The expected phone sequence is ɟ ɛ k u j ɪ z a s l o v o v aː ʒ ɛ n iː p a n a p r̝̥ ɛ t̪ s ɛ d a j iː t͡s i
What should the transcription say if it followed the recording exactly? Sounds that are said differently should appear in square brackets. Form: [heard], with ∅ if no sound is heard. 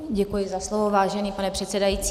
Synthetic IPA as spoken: ɟ ɛ k u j ɪ z a s l o v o v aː ʒ ɛ n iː p a n [ɛ] p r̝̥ ɛ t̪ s ɛ d a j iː t͡s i

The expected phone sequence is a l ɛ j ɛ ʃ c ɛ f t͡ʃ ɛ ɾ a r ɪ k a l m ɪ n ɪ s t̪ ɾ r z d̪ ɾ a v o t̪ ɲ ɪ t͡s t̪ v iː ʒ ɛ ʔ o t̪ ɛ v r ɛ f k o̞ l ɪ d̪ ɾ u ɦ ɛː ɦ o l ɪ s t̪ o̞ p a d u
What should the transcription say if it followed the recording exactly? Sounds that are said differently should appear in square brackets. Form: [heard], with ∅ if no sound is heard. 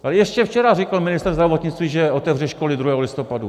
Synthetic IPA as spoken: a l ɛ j ɛ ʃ c ɛ f t͡ʃ ɛ ɾ a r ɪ k a l m ɪ n ɪ s t̪ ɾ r z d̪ ɾ a v o t̪ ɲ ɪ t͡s t̪ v iː ʒ ɛ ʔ o t̪ ɛ v r ɛ [ʃ] k o̞ l ɪ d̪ ɾ u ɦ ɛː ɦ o l ɪ s t̪ o̞ p a d u

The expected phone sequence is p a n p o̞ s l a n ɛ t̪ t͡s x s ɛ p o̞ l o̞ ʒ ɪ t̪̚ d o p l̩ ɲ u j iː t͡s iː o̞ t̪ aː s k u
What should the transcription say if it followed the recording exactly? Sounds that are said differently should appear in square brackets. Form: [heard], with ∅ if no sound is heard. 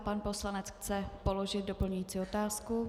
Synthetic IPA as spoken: p a n p o̞ s l a n ɛ [∅] t͡s x [t͡s] ɛ p o̞ l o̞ ʒ ɪ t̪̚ d o p l̩ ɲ u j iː t͡s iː o̞ t̪ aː s k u

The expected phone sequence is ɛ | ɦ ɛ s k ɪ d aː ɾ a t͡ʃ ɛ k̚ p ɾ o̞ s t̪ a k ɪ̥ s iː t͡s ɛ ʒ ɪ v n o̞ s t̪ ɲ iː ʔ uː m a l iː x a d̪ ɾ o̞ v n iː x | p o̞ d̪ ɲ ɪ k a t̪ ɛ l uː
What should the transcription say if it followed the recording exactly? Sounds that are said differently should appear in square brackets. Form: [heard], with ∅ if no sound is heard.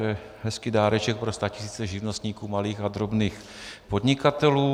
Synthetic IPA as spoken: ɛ | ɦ ɛ s k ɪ d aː ɾ [ɛ] t͡ʃ ɛ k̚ p ɾ o̞ s t̪ a [c] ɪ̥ s iː t͡s ɛ ʒ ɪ v n o̞ s t̪ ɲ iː [k] uː m a l iː x a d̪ ɾ o̞ [b] n iː x | p o̞ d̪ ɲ ɪ k a t̪ ɛ l uː

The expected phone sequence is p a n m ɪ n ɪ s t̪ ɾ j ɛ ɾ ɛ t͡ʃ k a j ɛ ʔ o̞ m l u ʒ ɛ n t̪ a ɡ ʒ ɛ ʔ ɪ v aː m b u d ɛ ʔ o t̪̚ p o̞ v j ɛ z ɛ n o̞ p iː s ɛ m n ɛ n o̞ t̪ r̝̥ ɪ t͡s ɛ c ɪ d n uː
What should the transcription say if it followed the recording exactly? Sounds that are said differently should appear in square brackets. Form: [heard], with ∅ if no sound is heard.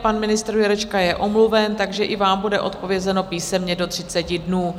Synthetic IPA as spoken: p a n m ɪ n ɪ s t̪ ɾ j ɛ ɾ ɛ t͡ʃ k a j ɛ ʔ o̞ m l u [v] ɛ n t̪ a ɡ ʒ ɛ ʔ ɪ v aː m b u d ɛ ʔ o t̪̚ p o̞ v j ɛ z ɛ n o̞ p iː s ɛ m [ɲ] ɛ [d] o̞ t̪ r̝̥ ɪ t͡s ɛ c ɪ d n uː

